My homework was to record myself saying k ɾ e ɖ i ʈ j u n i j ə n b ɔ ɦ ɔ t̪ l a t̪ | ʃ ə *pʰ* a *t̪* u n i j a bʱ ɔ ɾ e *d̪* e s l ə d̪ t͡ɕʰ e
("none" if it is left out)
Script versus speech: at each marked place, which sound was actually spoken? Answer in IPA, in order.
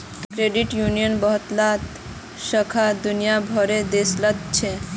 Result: kʰ, d̪, d̪

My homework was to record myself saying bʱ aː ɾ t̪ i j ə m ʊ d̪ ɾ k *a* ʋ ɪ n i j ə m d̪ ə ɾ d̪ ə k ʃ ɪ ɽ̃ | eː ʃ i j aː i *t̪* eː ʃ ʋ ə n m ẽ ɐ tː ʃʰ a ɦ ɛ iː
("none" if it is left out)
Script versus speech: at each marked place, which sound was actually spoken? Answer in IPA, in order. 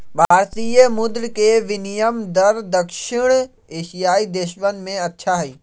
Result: e, d̪

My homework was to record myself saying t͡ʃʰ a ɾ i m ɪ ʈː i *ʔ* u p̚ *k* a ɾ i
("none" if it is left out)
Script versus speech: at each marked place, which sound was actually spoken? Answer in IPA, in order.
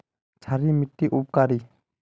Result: ʔ, k

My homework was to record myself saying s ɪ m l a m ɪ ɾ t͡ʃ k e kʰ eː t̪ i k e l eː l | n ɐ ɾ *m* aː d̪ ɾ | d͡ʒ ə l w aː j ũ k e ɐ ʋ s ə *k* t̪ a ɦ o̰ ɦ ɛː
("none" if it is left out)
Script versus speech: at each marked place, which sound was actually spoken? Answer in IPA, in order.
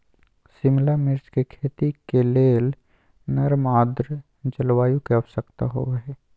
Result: m, k

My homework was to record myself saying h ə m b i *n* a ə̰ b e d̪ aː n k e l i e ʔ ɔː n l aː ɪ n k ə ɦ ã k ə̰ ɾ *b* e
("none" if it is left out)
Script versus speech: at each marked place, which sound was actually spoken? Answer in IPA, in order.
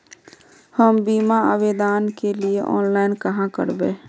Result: m, b

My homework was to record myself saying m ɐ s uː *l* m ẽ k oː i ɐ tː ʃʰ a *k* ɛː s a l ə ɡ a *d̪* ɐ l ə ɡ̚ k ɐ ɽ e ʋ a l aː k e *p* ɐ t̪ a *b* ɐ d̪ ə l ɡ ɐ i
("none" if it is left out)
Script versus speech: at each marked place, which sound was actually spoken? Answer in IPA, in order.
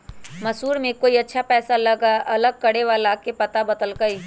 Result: ɾ, p, none, p, b

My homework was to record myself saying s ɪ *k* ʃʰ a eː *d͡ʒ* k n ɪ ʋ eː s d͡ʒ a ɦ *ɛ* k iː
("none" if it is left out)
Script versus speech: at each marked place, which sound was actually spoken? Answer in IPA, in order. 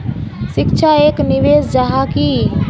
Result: k, none, a

